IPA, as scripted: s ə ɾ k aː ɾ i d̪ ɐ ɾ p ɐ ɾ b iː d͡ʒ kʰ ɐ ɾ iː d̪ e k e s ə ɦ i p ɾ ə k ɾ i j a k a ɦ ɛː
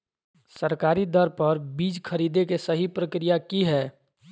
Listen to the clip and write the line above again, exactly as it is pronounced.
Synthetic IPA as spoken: s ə ɾ k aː ɾ i d̪ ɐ ɾ p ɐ ɾ b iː d͡ʒ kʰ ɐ ɾ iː d̪ e k e s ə ɦ i p ɾ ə k ɾ i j a k i ɦ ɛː